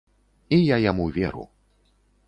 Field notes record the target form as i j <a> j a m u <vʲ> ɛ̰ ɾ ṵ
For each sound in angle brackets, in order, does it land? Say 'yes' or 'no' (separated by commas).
yes, yes